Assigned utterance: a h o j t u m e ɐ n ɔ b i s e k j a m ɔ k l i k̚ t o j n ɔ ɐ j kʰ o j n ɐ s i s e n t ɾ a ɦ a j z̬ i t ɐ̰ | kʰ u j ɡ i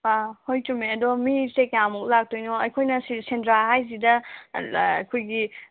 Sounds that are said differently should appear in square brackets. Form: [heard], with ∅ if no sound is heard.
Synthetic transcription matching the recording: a h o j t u m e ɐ [d] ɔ [m] i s e k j a m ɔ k l [a] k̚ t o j n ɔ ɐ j kʰ o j n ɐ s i s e n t ɾ a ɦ a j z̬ i [d] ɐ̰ | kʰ [o] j ɡ i